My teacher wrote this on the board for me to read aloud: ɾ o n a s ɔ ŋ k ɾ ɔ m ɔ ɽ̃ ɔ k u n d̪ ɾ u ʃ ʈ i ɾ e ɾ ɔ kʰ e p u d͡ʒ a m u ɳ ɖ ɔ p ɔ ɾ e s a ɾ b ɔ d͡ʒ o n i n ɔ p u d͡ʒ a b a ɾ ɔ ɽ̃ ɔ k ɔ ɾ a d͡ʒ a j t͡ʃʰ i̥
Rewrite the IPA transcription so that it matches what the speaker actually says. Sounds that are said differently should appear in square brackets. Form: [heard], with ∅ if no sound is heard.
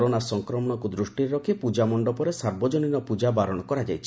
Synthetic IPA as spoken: ɾ o n a s ɔ ŋ k ɾ ɔ m ɔ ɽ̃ ɔ k u [∅] d̪ ɾ u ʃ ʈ i ɾ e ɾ ɔ kʰ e p u d͡ʒ a m [ɔ] ɳ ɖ ɔ p ɔ ɾ e s a ɾ b ɔ d͡ʒ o n i n ɔ p u d͡ʒ a b a ɾ ɔ ɽ̃ ɔ k ɔ ɾ a d͡ʒ a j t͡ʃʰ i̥